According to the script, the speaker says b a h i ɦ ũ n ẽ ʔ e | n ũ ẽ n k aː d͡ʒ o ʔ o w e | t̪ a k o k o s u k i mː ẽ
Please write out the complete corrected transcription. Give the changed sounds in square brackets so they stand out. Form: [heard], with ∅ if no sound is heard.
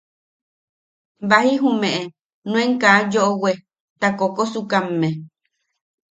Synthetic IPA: b a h i ɦ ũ [m] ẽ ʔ e | n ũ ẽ [ŋ] k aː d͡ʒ o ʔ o w e | t̪ a k o k o s u k [a] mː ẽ